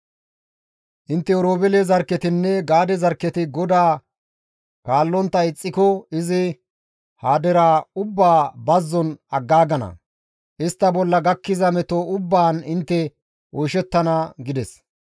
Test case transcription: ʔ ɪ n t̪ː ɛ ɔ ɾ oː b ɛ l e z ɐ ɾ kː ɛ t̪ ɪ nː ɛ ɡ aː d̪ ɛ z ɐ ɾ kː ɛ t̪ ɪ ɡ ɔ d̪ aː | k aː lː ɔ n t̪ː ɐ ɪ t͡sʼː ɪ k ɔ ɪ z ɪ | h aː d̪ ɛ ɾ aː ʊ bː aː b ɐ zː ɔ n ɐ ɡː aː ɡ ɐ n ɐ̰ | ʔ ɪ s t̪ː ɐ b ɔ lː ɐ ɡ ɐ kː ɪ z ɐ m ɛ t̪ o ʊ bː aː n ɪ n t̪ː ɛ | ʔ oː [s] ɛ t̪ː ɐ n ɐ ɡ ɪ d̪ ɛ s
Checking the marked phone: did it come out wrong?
yes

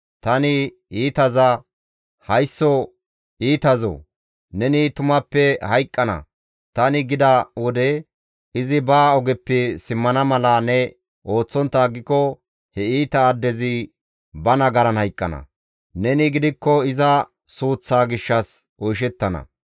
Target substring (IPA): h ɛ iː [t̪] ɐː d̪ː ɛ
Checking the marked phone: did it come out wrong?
no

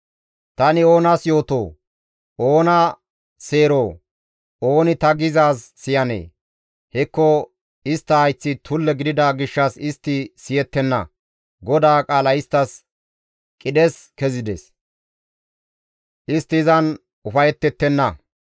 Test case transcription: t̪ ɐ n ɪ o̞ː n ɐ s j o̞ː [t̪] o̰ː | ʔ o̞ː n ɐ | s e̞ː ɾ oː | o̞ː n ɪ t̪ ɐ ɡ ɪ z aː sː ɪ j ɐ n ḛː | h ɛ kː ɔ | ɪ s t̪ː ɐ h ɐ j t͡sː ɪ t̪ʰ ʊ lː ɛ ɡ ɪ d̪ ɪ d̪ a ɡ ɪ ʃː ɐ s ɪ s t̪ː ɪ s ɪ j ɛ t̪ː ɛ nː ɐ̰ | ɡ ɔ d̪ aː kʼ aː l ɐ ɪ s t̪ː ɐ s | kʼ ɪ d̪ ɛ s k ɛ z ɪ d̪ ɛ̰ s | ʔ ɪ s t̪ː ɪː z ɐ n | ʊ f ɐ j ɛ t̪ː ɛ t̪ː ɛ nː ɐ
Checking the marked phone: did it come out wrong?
no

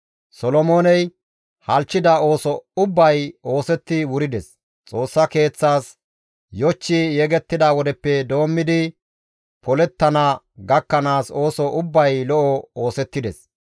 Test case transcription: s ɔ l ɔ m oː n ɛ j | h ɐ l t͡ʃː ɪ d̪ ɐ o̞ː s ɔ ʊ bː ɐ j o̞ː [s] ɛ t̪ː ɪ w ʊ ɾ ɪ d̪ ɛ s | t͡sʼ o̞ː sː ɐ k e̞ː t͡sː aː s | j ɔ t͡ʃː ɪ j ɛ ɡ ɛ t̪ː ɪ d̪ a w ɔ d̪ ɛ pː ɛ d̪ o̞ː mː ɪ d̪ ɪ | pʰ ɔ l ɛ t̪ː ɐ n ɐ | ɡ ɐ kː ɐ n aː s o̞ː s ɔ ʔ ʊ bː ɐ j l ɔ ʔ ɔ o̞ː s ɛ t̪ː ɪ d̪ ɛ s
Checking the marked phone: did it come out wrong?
no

